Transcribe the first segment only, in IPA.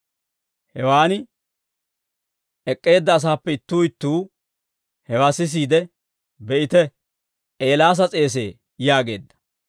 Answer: h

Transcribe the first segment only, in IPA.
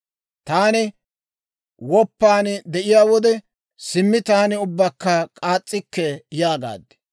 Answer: t̪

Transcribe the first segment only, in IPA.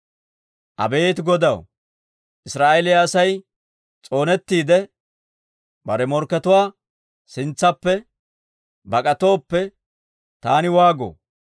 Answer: ʔ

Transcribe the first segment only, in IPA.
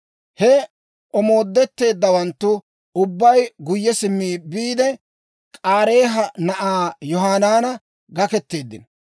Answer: h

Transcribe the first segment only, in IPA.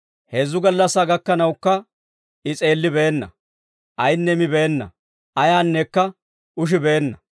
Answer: h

